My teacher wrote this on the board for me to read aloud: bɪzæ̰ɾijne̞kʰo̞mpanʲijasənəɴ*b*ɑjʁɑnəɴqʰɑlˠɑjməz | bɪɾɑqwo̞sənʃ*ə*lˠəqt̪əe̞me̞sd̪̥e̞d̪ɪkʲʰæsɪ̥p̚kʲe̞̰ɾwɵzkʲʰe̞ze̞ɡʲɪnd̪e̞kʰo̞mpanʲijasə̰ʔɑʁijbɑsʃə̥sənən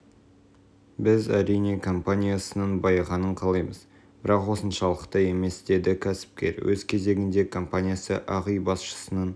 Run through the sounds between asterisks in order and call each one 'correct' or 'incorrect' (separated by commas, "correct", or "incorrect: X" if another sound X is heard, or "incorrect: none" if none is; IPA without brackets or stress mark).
correct, incorrect: ɑ